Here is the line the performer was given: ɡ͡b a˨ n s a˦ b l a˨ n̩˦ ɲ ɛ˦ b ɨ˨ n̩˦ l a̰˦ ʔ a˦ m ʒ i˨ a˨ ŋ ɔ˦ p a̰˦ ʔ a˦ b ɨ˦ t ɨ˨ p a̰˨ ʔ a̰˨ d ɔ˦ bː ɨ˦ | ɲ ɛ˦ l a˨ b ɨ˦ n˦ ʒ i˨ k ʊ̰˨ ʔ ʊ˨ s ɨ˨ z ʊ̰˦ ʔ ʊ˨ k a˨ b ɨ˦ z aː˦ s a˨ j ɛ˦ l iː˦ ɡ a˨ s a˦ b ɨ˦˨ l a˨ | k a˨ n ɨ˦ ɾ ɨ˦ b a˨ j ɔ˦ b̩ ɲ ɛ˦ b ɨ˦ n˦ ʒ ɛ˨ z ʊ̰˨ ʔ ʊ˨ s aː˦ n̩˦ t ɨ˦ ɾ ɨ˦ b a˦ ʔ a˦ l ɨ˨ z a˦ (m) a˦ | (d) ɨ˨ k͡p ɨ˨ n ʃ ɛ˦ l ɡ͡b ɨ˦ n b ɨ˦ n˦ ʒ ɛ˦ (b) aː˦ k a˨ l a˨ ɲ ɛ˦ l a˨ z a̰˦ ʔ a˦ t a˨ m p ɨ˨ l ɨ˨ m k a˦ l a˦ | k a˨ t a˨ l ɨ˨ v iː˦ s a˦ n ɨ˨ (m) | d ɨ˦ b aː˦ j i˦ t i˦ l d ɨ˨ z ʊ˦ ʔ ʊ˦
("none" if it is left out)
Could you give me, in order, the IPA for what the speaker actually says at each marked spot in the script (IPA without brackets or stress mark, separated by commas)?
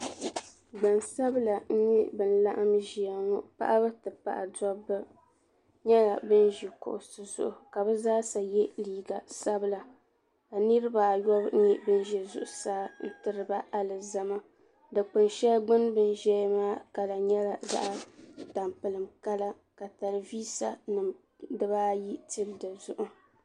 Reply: m, d, m, m